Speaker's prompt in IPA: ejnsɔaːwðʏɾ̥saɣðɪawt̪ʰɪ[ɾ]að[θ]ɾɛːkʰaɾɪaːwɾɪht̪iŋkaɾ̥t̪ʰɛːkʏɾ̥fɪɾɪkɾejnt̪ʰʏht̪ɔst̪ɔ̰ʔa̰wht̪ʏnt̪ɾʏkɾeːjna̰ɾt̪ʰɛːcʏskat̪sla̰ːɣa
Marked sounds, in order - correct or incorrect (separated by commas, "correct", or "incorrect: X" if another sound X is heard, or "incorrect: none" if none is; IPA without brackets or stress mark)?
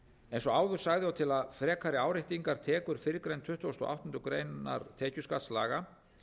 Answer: incorrect: l, incorrect: f